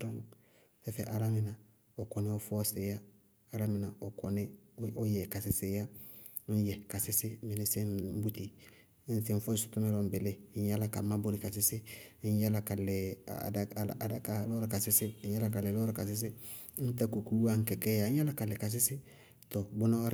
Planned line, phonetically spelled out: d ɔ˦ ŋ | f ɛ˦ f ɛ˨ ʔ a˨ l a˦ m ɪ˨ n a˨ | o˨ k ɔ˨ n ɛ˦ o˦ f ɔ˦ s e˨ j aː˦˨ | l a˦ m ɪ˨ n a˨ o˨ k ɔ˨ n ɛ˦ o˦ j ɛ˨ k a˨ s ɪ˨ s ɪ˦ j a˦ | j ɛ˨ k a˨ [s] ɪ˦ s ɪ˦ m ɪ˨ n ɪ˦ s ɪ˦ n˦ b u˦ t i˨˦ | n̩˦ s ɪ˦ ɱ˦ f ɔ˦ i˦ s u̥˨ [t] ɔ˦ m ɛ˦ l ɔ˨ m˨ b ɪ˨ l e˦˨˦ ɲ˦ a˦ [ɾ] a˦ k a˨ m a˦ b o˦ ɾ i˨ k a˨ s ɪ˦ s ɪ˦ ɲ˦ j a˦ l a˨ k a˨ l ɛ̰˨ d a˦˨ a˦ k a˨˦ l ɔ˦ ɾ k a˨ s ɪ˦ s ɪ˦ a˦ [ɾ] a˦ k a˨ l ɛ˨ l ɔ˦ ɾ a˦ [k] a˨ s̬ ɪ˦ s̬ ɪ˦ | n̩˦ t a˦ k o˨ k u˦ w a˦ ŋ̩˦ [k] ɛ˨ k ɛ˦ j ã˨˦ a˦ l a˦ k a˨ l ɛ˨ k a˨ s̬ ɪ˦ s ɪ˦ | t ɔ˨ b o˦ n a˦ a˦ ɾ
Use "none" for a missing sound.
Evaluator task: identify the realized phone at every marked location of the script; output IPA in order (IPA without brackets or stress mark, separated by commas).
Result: s, t, l, l, k, k